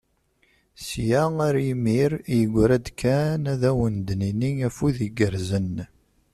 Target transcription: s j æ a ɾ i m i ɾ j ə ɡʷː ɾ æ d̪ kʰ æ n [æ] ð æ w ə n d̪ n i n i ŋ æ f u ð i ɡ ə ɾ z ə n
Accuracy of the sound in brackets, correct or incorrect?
correct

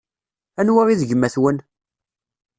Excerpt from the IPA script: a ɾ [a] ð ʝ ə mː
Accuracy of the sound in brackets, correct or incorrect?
incorrect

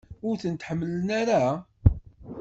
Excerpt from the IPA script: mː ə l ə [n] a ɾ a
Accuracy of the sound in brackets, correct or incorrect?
correct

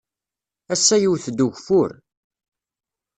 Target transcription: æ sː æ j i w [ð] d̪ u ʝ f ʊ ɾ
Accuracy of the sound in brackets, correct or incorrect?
incorrect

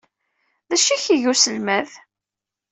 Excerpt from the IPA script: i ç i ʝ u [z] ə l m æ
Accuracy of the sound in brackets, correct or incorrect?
incorrect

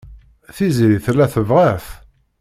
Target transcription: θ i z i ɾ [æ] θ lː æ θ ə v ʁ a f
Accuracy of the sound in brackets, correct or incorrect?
incorrect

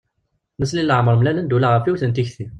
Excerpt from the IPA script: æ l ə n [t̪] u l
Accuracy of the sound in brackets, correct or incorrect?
incorrect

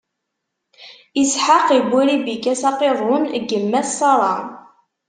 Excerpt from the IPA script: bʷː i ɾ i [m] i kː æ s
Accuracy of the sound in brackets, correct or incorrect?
incorrect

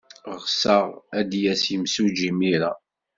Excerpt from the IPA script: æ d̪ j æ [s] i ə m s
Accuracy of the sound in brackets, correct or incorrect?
correct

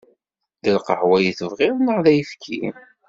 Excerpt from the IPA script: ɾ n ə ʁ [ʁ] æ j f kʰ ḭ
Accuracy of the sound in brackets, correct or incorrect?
incorrect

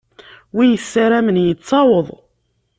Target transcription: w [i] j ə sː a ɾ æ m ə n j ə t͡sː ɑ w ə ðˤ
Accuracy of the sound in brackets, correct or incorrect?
correct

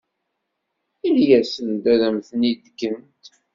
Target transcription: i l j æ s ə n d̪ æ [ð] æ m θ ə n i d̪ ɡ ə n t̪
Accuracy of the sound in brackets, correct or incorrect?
correct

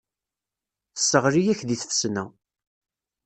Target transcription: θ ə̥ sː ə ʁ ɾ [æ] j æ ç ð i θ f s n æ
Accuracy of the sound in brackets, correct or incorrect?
incorrect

